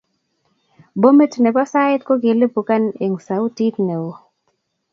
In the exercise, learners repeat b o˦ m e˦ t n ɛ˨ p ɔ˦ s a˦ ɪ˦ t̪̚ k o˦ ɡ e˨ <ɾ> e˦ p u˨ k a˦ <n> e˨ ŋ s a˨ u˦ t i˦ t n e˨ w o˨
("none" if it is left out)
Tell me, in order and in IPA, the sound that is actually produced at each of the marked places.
l, n

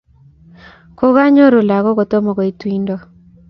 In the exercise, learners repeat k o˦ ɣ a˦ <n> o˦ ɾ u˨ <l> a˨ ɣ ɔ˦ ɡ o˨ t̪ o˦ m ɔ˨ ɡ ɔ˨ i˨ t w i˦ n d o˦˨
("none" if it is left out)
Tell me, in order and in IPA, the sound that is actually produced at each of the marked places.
ɲ, l

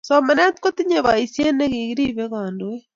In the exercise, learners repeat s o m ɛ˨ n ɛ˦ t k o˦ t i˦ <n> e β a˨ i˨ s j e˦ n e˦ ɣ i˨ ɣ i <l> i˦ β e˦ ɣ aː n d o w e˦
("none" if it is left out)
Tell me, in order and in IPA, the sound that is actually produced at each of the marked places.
ɲ, ɾ

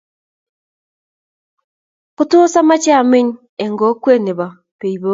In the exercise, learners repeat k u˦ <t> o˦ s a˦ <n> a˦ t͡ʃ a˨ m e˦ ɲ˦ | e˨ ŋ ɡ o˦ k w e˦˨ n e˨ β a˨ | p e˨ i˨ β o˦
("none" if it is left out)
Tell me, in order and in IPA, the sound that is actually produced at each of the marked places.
t, m

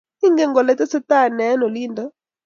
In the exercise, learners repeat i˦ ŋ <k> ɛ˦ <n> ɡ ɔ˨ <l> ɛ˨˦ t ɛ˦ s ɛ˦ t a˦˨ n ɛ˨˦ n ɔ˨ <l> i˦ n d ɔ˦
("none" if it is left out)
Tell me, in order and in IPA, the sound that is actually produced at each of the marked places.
ɡ, ŋ, l, l

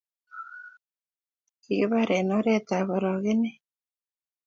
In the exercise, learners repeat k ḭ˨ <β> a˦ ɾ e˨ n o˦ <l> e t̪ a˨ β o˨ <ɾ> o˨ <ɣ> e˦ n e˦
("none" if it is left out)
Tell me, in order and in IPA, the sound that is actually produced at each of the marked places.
β, ɾ, ɾ, ɣ

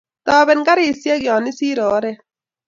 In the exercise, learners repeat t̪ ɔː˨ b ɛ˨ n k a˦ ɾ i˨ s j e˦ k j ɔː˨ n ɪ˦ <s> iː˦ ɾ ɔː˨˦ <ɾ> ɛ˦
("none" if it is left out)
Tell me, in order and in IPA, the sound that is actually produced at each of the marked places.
s, ɾ

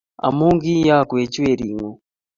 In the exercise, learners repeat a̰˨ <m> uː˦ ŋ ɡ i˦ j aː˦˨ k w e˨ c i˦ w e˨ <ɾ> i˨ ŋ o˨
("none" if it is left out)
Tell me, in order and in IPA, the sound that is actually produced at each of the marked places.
m, ɾ

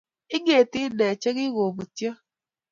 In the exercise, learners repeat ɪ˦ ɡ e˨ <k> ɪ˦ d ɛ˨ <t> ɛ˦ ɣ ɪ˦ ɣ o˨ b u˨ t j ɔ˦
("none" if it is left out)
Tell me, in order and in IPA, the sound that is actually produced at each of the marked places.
t, t͡ʃ

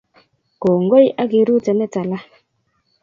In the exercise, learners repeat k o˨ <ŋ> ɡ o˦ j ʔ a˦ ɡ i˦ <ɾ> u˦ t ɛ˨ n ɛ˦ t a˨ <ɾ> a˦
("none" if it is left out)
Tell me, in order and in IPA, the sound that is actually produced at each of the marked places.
ŋ, ɾ, l

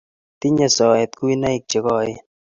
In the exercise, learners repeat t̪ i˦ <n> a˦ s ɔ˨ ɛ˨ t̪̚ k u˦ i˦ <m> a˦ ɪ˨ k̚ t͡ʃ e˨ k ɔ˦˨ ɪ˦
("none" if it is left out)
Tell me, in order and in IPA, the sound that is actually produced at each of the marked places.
ɲ, n

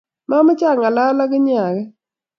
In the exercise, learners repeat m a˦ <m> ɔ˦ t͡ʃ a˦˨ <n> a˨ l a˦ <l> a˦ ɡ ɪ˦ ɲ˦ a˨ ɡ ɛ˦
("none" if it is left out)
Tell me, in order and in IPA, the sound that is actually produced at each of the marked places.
m, ŋ, l

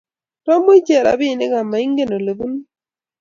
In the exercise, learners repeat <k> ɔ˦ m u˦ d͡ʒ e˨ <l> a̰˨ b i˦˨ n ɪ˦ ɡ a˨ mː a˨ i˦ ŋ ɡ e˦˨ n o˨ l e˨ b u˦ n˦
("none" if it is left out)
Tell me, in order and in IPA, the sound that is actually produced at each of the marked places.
t, ɾ

